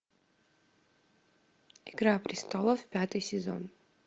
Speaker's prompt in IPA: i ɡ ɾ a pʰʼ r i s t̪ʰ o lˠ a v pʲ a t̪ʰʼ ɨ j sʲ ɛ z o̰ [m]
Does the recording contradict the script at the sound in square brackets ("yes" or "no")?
yes